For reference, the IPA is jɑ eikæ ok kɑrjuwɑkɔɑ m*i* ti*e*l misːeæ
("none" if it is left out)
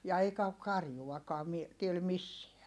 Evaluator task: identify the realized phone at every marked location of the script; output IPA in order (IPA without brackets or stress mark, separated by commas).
i, e